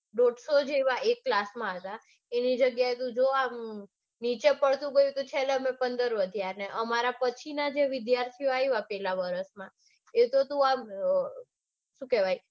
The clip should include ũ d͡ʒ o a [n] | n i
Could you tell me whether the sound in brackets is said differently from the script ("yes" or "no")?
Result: yes